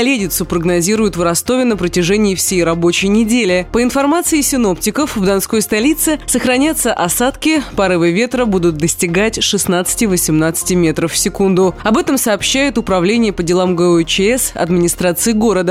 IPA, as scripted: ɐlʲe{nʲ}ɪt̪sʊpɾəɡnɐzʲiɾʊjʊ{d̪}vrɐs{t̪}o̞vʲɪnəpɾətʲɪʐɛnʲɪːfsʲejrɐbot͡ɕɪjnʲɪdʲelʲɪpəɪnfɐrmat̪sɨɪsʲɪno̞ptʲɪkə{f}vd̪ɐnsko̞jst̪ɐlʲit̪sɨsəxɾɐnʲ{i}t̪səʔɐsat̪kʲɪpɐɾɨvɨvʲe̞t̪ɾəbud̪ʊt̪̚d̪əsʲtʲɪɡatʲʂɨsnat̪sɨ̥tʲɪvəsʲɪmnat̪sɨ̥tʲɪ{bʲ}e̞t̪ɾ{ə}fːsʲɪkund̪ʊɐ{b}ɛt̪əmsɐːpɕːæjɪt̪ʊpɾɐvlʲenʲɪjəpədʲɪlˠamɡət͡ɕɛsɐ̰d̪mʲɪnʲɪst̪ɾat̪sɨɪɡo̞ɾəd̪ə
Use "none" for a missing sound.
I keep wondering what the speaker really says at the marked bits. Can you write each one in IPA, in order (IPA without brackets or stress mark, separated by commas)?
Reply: dʲ, t̪, t̪, f, a, mʲ, ə, b